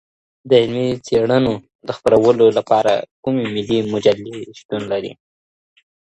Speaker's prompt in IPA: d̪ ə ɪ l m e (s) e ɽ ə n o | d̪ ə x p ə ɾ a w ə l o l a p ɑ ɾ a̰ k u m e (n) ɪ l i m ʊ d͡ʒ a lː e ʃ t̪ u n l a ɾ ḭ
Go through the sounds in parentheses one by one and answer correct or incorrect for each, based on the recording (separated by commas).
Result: incorrect, incorrect